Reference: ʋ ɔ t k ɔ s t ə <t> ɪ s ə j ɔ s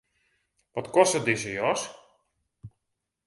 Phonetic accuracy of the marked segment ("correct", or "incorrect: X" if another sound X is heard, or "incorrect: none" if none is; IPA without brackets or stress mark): incorrect: d